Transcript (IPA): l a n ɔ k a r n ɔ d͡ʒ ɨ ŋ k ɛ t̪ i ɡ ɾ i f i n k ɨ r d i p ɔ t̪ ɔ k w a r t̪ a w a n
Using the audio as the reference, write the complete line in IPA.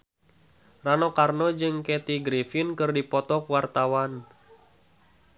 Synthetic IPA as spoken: r a n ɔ k a r n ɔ d͡ʒ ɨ ŋ k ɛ t̪ i ɡ ɾ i f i n k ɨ r d i p ɔ t̪ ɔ k w a r t̪ a w a n